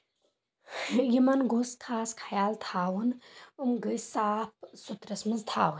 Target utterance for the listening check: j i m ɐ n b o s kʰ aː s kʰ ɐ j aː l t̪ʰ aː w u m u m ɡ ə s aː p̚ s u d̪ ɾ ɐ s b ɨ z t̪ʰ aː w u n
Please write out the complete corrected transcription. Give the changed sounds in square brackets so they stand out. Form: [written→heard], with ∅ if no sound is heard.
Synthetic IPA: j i m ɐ n [b→ɡ] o s kʰ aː s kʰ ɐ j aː l t̪ʰ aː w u [m→n] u m ɡ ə s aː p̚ s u [d̪→t̪] ɾ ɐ s [b→m] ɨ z t̪ʰ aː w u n